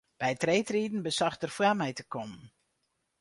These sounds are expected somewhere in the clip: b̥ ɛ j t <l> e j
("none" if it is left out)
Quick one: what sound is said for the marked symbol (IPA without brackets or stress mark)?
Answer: r